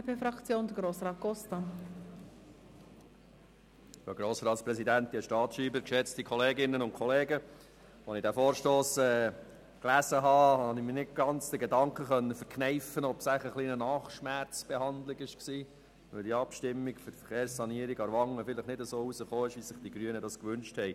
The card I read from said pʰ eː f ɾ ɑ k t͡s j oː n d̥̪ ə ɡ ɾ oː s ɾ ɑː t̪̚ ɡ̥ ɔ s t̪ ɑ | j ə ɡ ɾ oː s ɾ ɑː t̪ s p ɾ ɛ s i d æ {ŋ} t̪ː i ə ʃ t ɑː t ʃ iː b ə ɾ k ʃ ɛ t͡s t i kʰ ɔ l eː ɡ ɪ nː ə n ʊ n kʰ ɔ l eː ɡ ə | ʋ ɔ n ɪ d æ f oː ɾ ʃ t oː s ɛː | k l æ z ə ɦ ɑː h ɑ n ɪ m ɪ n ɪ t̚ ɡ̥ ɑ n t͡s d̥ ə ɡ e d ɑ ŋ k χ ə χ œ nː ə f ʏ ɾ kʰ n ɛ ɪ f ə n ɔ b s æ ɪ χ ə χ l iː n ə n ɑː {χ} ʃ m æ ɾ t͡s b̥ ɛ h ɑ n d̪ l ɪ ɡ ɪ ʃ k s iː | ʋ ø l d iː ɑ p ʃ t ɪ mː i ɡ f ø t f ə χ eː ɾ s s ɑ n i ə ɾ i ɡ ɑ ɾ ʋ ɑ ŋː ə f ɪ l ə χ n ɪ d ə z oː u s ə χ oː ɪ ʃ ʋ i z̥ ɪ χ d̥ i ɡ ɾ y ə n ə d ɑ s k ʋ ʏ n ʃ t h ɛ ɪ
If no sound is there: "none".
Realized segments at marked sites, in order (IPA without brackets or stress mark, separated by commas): n, χ